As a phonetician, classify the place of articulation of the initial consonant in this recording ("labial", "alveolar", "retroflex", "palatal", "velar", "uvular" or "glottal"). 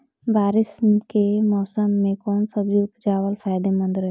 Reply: labial